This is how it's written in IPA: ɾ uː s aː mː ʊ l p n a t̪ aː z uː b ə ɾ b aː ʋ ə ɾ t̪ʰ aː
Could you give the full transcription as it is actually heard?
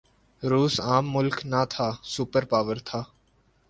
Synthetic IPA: ɾ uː s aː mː ʊ l k n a t̪ʰ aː s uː p ə ɾ p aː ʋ ə ɾ t̪ʰ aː